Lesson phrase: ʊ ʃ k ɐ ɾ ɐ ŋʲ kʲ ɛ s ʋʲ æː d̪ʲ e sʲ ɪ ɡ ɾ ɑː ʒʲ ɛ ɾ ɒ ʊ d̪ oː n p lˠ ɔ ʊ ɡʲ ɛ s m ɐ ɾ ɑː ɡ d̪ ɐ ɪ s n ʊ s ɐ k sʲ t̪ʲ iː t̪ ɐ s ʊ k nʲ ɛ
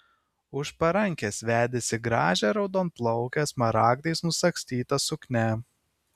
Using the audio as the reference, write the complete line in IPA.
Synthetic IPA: ʊ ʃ p ɐ ɾ ɐ ŋʲ kʲ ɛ s ʋʲ æː d̪ʲ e sʲ ɪ ɡ ɾ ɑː ʒʲ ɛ ɾ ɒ ʊ d̪ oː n p lˠ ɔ ʊ kʲ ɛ s m ɐ ɾ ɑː ɡ d̪ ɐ ɪ s n ʊ s ɐ k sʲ t̪ʲ iː t̪ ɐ s ʊ k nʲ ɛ